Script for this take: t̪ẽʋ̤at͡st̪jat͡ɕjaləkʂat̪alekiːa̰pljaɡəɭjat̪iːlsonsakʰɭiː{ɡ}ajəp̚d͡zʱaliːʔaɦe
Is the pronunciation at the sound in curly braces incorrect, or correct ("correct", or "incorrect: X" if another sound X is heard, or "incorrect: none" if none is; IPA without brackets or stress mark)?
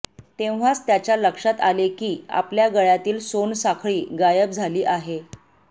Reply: correct